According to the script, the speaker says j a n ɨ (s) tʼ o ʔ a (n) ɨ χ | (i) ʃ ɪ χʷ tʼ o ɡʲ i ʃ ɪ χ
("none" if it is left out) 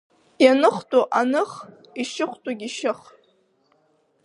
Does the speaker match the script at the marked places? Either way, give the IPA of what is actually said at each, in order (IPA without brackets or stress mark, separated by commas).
χ, n, i